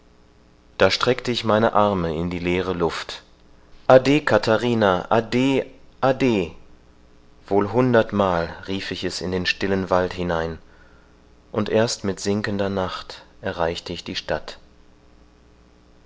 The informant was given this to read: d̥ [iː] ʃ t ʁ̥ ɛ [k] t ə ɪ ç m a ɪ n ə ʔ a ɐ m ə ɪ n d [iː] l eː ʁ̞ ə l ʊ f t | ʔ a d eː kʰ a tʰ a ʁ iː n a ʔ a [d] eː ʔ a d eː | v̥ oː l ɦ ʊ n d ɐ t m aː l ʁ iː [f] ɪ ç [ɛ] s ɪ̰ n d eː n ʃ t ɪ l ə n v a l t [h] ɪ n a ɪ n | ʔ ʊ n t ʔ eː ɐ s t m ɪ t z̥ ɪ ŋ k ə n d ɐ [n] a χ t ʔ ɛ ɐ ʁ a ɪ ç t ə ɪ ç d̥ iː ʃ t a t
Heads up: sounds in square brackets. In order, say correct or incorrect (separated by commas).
incorrect, correct, correct, correct, correct, correct, correct, correct